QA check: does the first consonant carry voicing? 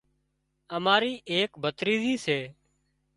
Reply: yes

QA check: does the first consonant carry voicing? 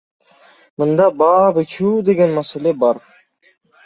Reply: yes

